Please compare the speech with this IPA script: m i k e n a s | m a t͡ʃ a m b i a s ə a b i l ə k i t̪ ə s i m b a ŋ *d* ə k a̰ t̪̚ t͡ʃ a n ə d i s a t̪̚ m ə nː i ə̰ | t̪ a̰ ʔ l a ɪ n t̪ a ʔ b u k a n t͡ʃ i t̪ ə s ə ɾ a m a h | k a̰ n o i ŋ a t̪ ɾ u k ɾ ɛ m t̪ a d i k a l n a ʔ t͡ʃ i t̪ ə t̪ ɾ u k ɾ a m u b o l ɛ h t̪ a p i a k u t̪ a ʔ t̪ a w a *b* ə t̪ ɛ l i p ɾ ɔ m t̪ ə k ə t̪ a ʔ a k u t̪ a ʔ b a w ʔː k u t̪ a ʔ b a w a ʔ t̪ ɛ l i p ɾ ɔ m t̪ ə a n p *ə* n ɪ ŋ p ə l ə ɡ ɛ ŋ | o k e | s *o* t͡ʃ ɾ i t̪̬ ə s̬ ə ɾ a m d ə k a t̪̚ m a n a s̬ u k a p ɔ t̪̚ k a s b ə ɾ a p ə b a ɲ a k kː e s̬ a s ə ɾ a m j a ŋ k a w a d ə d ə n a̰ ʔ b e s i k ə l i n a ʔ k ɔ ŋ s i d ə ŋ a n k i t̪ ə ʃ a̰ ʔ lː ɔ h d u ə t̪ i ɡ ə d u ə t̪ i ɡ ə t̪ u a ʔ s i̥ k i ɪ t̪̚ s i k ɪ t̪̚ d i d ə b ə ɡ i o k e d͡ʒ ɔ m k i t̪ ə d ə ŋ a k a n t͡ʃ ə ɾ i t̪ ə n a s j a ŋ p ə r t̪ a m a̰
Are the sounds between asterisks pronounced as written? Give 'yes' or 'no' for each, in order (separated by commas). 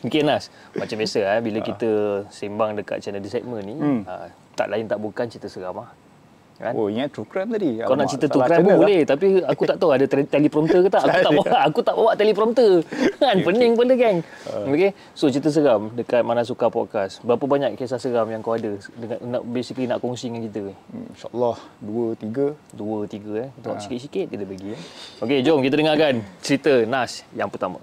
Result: yes, no, yes, yes